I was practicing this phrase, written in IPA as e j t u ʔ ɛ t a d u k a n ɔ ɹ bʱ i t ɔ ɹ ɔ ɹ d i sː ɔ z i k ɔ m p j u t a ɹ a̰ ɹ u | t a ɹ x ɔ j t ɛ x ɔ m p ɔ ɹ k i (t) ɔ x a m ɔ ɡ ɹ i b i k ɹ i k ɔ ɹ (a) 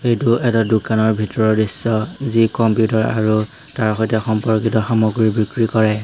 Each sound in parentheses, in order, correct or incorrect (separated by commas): correct, incorrect